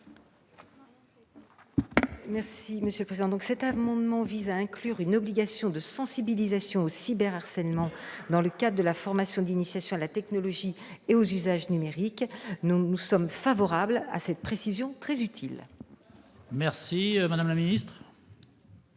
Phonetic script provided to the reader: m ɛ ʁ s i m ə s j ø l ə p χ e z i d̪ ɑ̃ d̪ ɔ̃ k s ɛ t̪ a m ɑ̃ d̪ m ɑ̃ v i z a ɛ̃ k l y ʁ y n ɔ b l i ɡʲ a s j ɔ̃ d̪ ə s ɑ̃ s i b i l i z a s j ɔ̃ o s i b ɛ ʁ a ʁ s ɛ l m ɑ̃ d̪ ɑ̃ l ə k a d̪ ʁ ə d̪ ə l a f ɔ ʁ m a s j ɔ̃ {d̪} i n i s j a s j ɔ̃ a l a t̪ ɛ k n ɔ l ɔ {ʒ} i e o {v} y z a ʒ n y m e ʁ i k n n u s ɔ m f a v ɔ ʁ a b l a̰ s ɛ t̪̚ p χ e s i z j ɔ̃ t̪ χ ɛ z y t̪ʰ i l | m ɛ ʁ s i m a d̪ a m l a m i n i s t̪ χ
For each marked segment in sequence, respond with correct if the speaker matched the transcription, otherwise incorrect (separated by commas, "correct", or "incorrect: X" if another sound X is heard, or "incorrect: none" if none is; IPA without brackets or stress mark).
correct, correct, incorrect: z